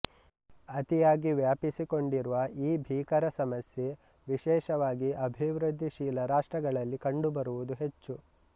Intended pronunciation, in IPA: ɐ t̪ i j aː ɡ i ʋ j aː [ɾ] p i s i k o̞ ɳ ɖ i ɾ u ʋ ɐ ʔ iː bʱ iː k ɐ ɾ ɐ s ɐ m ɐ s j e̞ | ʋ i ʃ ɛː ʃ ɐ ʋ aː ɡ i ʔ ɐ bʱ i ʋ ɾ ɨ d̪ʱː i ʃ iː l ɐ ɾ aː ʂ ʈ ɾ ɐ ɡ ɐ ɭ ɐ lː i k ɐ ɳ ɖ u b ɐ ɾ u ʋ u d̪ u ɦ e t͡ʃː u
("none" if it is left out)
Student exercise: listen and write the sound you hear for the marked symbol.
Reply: none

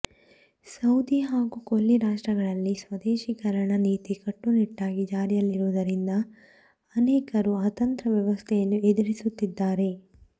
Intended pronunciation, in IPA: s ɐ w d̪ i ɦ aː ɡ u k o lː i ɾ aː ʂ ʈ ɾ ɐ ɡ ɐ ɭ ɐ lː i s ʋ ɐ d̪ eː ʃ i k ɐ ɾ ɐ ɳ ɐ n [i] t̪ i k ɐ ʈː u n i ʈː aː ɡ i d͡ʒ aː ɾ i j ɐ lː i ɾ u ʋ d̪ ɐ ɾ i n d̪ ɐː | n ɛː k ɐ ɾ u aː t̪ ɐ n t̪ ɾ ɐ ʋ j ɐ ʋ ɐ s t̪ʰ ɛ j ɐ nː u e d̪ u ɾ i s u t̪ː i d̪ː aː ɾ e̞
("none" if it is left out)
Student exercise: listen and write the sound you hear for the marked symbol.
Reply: iː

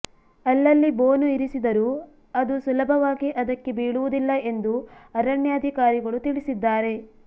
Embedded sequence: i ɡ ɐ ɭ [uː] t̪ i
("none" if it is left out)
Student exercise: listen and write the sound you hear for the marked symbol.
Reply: u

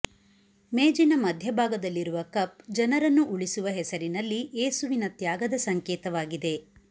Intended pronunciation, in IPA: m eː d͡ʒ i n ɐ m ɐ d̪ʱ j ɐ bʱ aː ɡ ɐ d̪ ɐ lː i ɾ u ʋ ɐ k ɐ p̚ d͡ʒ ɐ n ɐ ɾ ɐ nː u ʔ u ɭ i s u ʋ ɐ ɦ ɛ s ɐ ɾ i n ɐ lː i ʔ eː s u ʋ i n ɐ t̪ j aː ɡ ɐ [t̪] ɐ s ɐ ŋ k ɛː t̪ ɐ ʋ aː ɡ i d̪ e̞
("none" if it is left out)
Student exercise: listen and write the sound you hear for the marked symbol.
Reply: d̪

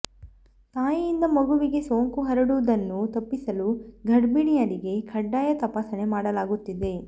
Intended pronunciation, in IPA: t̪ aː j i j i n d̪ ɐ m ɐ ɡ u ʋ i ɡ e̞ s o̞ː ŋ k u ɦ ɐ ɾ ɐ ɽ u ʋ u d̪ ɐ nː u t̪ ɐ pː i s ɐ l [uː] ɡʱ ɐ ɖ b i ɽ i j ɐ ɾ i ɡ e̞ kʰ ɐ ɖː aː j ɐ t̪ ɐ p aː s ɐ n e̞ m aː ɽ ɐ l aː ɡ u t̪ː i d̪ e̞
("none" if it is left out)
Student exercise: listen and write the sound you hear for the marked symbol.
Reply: u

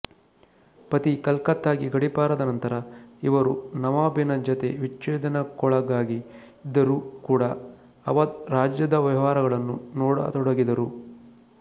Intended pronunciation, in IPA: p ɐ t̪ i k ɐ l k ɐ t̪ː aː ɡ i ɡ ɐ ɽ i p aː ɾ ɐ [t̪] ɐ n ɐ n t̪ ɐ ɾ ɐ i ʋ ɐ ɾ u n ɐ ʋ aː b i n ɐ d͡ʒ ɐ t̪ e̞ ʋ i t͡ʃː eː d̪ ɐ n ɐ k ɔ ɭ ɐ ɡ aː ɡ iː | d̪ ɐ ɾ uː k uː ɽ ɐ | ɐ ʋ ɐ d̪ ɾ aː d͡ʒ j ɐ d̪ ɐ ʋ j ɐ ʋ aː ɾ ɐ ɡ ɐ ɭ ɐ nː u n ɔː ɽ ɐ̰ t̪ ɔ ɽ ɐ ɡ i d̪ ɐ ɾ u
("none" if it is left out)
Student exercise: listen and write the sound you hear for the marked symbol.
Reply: d̪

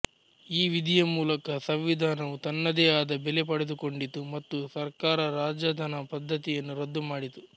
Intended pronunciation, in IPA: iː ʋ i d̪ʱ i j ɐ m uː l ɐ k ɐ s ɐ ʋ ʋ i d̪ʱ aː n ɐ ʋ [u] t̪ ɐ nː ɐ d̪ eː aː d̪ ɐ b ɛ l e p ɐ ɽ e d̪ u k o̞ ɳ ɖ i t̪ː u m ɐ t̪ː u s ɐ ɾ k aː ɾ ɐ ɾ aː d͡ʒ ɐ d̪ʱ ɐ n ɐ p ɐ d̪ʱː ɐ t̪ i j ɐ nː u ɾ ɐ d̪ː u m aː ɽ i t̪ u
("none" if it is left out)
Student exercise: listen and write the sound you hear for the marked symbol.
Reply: u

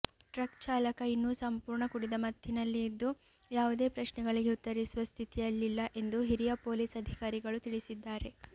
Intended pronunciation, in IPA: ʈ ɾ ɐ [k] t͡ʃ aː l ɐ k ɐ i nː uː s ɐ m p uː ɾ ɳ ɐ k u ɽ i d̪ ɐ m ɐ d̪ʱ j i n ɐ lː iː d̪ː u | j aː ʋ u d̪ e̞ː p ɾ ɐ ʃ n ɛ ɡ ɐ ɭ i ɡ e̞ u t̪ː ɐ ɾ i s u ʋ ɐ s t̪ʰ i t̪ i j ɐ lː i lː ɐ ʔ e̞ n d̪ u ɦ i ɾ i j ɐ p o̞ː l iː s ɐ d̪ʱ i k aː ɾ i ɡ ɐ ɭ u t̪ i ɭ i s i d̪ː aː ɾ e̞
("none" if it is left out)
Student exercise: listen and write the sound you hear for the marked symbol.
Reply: k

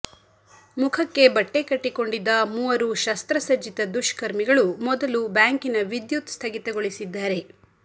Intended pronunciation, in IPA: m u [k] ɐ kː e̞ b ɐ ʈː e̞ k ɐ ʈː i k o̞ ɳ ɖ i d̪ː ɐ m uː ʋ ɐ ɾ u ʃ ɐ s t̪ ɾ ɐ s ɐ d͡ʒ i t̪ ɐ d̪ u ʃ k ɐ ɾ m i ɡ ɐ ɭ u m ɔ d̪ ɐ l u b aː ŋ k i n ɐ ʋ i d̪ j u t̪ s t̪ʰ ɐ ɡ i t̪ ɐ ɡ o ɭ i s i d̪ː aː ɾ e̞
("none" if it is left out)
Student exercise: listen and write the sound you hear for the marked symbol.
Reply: kʰ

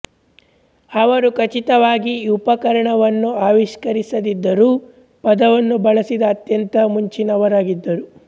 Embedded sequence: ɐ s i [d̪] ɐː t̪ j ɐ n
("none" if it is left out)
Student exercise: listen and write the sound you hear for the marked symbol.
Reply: d̪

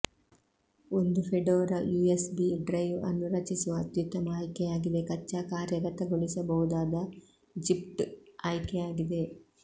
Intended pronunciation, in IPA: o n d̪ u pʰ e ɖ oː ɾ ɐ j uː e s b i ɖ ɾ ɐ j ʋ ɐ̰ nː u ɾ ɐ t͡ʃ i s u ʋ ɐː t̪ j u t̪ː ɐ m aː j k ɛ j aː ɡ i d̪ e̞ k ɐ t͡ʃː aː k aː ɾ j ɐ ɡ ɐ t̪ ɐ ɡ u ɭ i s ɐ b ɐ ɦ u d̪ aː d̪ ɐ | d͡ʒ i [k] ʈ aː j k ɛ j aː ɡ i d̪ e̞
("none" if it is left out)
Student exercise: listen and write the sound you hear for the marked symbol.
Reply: p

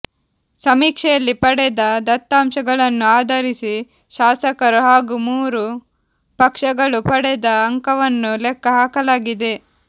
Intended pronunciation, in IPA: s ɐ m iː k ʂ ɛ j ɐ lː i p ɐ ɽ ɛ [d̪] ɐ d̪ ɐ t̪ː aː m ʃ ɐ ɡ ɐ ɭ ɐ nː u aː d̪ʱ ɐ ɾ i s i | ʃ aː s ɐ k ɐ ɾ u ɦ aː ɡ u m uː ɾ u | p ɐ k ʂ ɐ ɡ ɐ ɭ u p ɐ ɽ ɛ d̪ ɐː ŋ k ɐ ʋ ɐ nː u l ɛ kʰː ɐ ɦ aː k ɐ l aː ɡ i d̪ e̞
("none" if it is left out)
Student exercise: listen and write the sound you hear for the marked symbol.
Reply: d̪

